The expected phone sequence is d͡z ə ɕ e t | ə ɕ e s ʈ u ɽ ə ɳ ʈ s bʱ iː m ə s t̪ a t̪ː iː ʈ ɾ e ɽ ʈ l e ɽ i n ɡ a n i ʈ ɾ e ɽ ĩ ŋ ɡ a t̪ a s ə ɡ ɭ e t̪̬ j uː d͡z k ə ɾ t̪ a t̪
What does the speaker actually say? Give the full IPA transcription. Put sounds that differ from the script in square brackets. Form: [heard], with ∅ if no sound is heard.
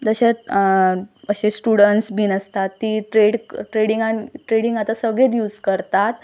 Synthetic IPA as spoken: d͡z ə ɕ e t | ə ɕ e s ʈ u ɽ ə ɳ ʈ s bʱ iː [n] ə s t̪ a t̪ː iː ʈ ɾ e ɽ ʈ [ɾ] e ɽ i [ŋ] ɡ a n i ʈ ɾ e ɽ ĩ ŋ ɡ a t̪ a s ə ɡ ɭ e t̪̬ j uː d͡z k ə ɾ t̪ a t̪